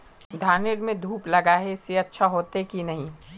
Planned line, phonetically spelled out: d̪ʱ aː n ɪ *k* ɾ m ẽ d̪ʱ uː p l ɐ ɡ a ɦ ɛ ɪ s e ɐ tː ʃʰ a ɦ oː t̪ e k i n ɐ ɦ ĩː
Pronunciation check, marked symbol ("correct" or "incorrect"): incorrect